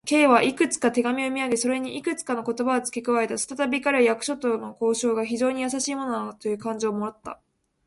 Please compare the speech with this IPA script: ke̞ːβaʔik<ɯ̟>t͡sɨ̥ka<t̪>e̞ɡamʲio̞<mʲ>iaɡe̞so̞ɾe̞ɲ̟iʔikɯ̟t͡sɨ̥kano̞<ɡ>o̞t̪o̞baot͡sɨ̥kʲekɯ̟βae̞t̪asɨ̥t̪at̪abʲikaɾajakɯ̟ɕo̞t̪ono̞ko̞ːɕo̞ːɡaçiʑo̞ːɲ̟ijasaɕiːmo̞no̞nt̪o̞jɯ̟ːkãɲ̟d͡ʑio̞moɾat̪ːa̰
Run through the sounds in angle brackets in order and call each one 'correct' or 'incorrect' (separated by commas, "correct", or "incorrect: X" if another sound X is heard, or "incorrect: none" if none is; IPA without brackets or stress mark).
correct, correct, correct, incorrect: k